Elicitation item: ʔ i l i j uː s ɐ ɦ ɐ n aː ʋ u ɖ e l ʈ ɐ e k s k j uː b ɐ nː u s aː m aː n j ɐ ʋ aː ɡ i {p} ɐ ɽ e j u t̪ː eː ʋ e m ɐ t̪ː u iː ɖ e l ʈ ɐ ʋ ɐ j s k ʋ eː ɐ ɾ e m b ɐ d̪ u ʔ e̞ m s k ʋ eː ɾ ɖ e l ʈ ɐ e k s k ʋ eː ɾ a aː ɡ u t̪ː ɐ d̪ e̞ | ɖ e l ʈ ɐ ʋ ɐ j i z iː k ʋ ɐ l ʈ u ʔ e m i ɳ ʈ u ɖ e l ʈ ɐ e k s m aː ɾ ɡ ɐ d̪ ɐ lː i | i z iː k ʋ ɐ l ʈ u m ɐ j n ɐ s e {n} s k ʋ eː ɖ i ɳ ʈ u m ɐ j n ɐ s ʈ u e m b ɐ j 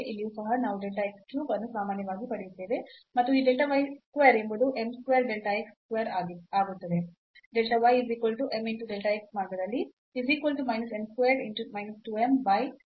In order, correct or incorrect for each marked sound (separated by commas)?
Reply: correct, incorrect